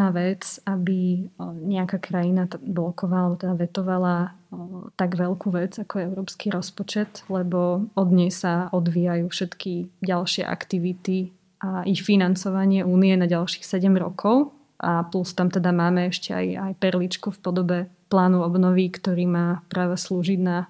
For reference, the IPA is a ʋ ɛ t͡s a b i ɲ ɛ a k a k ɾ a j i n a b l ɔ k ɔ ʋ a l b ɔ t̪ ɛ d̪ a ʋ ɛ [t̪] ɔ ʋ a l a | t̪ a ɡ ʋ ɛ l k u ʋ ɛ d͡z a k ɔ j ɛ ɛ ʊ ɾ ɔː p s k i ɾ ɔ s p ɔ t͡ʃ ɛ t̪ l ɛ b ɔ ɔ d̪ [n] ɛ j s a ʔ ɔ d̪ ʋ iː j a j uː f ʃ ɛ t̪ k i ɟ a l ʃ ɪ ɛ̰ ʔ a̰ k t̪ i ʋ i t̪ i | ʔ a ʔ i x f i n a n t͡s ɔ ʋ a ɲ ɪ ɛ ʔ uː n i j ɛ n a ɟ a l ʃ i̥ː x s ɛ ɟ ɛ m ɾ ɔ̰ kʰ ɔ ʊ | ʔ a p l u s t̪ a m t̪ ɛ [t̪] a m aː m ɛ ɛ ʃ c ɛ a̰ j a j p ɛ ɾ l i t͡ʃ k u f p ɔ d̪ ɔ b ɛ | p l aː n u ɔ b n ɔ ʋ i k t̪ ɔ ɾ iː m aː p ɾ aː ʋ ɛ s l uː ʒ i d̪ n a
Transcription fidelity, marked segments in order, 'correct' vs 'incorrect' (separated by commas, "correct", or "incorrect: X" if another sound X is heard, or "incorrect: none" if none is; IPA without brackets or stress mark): correct, incorrect: ɲ, incorrect: d̪